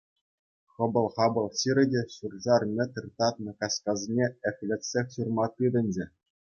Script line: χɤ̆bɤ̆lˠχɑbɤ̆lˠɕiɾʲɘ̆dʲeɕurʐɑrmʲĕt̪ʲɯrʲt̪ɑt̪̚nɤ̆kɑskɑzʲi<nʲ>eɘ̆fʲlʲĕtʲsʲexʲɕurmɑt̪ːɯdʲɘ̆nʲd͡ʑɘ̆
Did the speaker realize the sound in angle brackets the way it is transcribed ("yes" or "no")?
yes